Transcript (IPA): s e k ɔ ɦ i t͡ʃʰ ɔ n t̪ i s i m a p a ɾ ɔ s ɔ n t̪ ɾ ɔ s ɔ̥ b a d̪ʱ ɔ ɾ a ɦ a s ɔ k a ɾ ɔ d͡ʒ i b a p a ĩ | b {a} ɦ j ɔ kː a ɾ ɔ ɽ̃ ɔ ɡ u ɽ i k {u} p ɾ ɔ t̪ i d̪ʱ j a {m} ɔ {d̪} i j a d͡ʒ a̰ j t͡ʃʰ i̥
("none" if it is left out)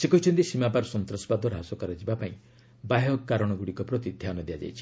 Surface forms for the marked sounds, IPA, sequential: a, ɔ, n, d̪

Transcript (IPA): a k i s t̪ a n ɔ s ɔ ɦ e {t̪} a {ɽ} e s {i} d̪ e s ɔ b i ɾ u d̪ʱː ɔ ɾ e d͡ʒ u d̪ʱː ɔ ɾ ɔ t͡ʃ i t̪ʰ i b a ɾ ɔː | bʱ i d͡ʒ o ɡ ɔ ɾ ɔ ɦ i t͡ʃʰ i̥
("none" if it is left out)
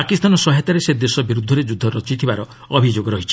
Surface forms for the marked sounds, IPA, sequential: t̪, ɾ, e

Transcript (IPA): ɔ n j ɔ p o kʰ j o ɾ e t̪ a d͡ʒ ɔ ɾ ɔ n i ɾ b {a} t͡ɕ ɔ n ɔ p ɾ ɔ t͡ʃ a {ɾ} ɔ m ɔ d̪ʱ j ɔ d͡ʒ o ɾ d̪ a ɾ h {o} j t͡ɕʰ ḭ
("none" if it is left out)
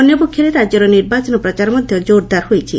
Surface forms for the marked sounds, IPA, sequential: a, ɾ, o

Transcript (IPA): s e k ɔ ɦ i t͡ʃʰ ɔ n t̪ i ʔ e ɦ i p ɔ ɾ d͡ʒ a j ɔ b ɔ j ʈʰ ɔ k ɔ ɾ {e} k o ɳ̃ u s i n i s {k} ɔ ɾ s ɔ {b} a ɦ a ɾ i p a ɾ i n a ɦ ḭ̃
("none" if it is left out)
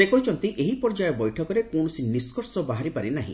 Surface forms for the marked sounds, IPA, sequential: e, k, b

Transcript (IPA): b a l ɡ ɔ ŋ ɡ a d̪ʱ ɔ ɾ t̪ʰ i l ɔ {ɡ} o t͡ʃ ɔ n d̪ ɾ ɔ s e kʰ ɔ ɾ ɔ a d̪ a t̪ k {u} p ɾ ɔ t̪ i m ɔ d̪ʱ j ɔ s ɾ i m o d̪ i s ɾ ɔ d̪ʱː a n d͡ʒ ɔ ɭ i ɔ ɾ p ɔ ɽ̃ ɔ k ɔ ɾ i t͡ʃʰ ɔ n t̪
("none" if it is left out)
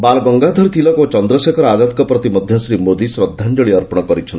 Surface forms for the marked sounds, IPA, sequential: k, ɔ

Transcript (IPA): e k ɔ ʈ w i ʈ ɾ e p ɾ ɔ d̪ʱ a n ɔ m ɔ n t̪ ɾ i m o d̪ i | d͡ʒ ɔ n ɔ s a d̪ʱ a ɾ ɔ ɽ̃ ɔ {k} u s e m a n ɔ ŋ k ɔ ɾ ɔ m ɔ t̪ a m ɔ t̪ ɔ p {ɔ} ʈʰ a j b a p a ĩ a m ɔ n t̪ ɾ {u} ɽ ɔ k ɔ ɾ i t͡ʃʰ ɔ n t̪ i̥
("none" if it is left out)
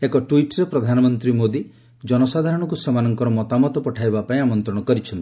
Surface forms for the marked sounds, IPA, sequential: k, ɔ, ɔ

